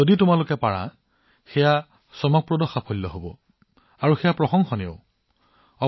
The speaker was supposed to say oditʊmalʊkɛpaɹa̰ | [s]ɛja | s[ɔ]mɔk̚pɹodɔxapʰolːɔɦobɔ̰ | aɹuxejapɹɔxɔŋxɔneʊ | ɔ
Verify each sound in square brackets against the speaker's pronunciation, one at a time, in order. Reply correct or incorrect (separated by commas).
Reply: incorrect, correct